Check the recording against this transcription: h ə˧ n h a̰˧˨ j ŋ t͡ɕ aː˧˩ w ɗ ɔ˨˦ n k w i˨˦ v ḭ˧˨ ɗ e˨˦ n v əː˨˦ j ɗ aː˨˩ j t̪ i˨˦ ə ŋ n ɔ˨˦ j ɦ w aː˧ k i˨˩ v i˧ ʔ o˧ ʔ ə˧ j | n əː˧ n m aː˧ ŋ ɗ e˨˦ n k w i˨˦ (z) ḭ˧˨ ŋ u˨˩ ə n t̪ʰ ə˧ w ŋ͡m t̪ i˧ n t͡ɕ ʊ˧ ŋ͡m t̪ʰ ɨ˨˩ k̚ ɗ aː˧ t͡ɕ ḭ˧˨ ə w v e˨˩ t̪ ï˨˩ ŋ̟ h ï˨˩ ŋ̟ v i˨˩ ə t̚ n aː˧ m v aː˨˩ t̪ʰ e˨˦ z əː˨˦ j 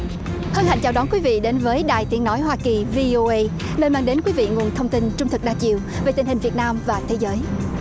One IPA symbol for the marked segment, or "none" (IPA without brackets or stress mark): v